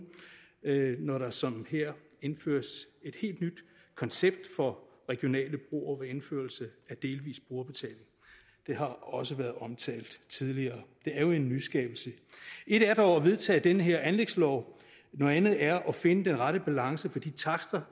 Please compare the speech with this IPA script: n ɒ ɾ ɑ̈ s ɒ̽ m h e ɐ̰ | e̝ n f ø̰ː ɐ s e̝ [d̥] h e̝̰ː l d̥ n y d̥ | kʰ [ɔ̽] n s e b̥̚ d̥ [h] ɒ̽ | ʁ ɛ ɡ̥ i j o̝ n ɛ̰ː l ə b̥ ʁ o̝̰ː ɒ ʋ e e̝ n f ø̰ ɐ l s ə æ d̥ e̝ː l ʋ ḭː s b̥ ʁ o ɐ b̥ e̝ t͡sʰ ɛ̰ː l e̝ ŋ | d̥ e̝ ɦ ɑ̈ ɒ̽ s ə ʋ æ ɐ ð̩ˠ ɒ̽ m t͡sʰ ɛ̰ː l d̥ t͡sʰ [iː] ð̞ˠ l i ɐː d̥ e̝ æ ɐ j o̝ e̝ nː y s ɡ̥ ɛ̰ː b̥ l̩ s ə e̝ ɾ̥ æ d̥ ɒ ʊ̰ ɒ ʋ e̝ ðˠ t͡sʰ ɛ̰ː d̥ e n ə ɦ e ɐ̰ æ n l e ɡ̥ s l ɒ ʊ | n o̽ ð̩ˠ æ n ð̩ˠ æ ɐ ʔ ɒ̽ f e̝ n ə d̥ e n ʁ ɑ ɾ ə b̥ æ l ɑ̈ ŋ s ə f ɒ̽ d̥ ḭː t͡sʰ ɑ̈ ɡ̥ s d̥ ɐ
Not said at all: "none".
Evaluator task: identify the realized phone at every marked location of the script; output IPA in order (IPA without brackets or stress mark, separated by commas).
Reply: d̥, ɒ̽, f, i